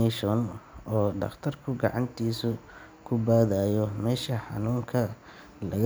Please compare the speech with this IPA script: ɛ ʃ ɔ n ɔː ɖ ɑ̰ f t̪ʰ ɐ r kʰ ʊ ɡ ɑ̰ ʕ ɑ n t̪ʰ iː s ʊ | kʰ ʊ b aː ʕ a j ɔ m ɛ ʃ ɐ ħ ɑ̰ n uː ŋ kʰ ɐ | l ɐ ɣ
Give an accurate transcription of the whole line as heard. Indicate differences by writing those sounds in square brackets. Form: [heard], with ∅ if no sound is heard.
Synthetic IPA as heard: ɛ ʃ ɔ n ɔː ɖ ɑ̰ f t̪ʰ ɐ r kʰ ʊ ɡ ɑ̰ ʕ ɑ n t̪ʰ iː s ʊ | kʰ ʊ b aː [ð] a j ɔ m [ɛː] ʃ ɐ ħ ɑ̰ n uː ŋ kʰ ɐ | l ɐ ɣ